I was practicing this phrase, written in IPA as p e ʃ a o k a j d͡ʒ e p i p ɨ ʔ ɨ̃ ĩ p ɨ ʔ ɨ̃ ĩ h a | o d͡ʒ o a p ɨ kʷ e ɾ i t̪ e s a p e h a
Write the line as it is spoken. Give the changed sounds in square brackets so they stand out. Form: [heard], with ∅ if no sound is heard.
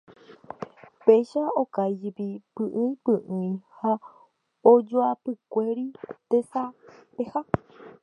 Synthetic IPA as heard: p e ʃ a o k a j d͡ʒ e p i p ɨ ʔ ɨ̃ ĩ p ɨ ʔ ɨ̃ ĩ h a | o d͡ʒ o a p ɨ kʷ e ɾ i t̪ e s a p e h a

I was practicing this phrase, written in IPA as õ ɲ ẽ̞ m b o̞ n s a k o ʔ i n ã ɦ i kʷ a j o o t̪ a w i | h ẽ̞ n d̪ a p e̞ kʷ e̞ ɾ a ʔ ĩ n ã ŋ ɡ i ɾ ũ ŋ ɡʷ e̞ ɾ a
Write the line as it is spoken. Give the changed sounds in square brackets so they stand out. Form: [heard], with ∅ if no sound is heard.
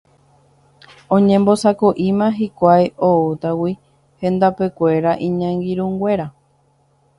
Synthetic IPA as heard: õ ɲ ẽ̞ m b o̞ [∅] s a k o ʔ i [m] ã ɦ i kʷ a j o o t̪ a w i | h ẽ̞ n d̪ a p e̞ kʷ e̞ ɾ a ʔ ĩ [ɲ] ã ŋ ɡ i ɾ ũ ŋ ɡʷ e̞ ɾ a

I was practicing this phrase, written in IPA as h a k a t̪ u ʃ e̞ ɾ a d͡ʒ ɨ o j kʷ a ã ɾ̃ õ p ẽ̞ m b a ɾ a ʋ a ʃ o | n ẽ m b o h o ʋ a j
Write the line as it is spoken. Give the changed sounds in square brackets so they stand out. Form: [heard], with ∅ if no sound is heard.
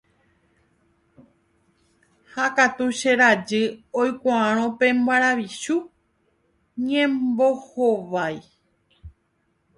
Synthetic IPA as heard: h a k a t̪ u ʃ e̞ ɾ a d͡ʒ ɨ o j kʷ a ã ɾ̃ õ p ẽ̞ m b a ɾ a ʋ [i] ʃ [u] | [ɲ] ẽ m b o h o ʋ a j

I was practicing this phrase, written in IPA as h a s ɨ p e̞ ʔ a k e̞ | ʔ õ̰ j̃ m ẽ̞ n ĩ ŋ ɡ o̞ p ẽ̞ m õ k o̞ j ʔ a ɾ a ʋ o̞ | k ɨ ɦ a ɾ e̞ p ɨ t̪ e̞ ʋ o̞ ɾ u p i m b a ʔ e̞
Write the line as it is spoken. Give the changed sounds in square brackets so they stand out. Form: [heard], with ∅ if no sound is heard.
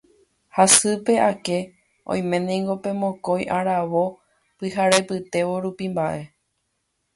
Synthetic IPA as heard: h a s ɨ p e̞ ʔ a k e̞ | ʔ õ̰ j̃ m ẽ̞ n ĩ ŋ ɡ o̞ p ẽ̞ m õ k o̞ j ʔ a ɾ a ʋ o̞ | [p] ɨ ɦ a ɾ e̞ p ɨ t̪ e̞ ʋ o̞ ɾ u p i m b a ʔ e̞

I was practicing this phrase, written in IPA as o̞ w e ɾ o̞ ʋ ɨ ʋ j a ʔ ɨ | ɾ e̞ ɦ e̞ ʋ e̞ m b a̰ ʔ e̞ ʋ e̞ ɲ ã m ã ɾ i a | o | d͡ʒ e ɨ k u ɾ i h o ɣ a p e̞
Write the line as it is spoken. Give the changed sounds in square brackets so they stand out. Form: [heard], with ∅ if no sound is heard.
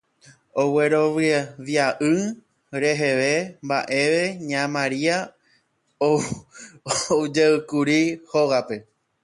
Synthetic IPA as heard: o̞ w e ɾ o̞ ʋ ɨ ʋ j a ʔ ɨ | ɾ e̞ ɦ e̞ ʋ e̞ m b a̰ ʔ e̞ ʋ e̞ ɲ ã m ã ɾ i a | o | d͡ʒ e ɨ k u ɾ i h o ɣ a p e̞

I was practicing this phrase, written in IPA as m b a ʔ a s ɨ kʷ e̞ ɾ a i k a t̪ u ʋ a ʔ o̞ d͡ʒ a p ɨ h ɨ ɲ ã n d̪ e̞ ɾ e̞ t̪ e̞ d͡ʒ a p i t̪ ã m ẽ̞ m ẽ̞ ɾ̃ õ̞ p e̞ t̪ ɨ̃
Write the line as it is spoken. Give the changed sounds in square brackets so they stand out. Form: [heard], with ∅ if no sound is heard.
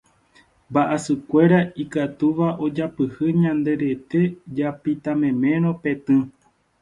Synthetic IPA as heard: m b a ʔ a s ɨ kʷ e̞ ɾ a i k a t̪ u ʋ a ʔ o̞ d͡ʒ a p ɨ h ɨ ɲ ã n d̪ e̞ ɾ e̞ t̪ e̞ d͡ʒ a p i t̪ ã m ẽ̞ m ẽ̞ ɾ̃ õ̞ p e̞ t̪ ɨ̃

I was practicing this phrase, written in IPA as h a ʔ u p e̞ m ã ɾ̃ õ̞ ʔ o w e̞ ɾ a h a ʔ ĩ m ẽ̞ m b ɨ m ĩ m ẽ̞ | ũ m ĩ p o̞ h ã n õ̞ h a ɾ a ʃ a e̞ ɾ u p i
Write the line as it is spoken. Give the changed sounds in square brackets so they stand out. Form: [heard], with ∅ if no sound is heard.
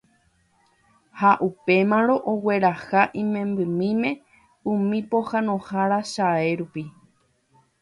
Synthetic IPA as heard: h a ʔ u p e̞ m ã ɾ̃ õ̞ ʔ o w e̞ ɾ a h a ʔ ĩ m ẽ̞ m b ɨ m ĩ m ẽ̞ | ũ m ĩ p o̞ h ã n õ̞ h a ɾ a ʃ a e̞ ɾ u p i

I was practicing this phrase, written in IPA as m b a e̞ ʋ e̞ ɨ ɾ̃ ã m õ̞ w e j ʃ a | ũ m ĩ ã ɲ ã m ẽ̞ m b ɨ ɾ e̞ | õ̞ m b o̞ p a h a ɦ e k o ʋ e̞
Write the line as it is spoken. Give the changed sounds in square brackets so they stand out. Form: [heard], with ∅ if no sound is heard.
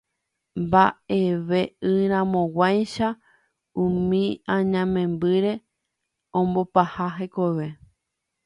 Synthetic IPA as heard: m b a e̞ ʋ e̞ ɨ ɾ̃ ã m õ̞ w [a] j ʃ a | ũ m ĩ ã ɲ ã m ẽ̞ m b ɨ ɾ e̞ | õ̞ m b o̞ p a h a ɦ e k o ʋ e̞

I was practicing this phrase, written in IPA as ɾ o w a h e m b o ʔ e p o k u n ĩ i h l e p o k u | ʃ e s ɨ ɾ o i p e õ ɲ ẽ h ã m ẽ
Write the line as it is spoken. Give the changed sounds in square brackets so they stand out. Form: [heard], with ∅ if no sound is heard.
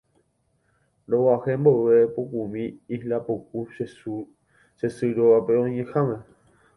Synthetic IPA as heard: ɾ o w a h e m b o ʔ e p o k u [m] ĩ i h l [a] p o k u | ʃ e s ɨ ɾ o [a] p e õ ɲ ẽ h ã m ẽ

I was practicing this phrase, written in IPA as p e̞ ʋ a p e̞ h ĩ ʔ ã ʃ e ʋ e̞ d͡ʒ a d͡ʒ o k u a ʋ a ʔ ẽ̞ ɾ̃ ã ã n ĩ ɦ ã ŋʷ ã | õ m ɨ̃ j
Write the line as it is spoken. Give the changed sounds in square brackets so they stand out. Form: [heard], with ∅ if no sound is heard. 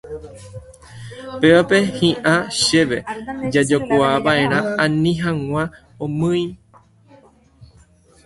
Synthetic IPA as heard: p e̞ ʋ a p e̞ h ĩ ʔ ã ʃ e ʋ e̞ d͡ʒ a d͡ʒ o k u a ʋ a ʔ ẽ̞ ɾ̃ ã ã n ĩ ɦ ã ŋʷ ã | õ m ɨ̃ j

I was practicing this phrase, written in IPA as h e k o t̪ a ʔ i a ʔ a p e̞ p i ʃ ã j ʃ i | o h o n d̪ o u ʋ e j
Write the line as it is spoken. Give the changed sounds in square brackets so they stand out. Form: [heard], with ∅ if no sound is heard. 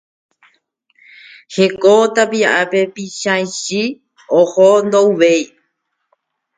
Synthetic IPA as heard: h e k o t̪ a [p] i a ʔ a p e̞ p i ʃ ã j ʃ i | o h o n d̪ o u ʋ e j

